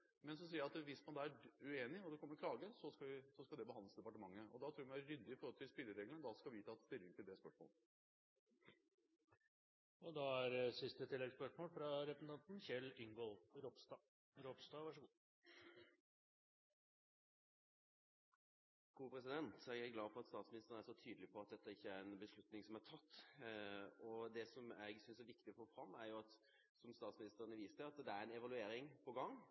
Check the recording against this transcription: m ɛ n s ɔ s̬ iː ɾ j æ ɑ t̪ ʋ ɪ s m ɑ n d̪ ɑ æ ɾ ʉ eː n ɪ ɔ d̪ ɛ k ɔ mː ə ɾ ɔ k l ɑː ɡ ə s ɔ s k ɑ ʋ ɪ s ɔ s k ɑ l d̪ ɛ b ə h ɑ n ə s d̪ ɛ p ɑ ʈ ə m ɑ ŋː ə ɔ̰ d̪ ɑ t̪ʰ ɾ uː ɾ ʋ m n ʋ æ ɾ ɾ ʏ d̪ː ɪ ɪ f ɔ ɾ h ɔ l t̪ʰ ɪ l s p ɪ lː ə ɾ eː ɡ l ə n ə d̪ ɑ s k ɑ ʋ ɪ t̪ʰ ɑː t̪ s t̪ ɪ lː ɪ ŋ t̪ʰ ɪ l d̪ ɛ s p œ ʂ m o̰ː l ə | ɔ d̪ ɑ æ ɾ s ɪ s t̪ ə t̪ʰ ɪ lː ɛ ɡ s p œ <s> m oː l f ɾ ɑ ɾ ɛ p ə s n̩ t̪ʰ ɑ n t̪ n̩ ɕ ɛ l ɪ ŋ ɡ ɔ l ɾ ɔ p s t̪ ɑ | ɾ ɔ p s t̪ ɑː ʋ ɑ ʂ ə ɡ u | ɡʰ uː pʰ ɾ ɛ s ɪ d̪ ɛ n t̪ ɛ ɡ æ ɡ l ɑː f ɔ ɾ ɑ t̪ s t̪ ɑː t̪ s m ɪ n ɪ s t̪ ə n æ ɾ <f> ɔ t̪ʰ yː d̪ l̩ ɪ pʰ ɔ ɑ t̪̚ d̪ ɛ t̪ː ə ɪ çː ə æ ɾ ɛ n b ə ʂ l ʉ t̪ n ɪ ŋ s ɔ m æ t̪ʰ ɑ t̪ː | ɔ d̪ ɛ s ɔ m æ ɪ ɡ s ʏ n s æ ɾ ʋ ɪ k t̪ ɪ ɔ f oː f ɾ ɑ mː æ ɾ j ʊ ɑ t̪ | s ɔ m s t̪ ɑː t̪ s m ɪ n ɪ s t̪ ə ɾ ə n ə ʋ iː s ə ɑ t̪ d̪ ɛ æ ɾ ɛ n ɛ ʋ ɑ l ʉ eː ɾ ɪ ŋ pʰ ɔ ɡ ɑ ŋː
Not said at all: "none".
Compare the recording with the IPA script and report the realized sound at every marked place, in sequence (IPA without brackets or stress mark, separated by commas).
ʂ, ʂ